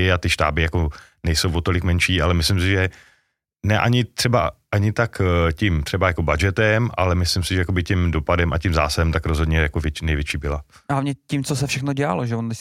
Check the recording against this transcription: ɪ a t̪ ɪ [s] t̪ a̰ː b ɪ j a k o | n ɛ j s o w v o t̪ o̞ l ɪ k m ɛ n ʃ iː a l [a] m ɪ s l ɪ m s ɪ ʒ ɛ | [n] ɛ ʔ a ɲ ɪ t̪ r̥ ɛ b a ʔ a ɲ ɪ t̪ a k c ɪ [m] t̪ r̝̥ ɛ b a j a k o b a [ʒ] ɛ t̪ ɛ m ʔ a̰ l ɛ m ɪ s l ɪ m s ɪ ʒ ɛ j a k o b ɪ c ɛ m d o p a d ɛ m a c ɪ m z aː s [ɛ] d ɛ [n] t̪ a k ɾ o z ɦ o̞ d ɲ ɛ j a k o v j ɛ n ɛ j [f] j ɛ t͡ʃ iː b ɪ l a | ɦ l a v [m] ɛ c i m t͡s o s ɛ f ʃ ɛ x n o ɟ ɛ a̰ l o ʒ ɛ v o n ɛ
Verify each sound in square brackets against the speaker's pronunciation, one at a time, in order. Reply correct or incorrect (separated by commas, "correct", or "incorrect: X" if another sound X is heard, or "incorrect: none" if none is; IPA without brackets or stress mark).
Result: incorrect: ʃ, incorrect: ɛ, correct, correct, incorrect: d͡ʒ, incorrect: a, incorrect: m, incorrect: v, incorrect: ɲ